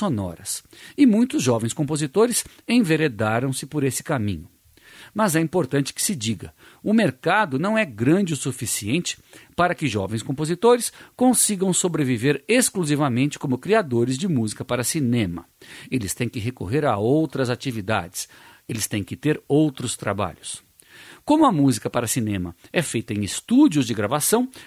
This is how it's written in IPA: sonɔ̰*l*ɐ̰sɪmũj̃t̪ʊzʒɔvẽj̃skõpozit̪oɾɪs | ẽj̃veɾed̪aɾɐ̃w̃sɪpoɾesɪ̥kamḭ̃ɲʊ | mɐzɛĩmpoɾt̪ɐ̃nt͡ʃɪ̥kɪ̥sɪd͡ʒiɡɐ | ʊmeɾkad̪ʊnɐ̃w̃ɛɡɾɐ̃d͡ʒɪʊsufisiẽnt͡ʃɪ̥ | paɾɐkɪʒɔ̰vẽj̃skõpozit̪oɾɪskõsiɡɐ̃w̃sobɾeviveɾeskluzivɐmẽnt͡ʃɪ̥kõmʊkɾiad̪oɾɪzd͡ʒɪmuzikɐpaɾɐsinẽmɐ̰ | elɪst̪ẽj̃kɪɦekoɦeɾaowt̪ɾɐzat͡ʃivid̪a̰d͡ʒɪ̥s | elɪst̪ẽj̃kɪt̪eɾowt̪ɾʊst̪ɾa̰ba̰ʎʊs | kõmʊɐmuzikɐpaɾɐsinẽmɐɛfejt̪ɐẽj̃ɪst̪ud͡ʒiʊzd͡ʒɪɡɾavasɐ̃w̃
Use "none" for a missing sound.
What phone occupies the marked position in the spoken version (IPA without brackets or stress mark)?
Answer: ɾ